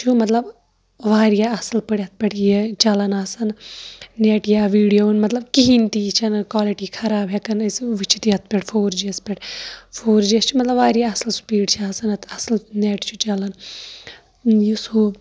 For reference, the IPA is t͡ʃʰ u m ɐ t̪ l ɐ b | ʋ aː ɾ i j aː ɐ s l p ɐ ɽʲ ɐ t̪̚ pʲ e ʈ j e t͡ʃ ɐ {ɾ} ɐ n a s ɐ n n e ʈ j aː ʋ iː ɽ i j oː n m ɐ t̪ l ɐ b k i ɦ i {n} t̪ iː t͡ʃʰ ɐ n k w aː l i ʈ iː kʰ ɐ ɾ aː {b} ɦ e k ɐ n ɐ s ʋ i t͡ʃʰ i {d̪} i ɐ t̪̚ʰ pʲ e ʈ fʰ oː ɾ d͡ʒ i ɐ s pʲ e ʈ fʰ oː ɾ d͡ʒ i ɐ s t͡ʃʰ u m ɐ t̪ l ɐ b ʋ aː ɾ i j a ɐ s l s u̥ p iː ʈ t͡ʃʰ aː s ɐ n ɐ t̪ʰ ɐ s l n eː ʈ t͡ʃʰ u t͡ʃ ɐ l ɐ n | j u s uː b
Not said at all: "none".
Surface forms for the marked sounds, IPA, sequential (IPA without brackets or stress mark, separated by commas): l, n, b, t̪